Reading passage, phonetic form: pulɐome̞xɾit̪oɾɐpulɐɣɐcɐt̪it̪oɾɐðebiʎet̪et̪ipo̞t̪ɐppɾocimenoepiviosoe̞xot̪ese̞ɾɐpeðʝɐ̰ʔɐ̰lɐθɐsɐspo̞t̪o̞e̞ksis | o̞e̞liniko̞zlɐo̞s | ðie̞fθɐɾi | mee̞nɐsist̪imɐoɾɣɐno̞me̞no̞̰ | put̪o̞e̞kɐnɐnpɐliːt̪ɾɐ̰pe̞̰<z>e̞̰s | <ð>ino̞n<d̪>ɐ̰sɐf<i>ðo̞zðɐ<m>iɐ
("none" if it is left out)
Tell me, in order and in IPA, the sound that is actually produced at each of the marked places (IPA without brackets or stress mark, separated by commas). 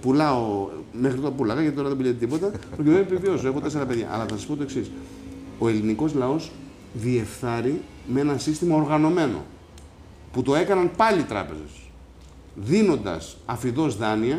z, ð, d̪, i, n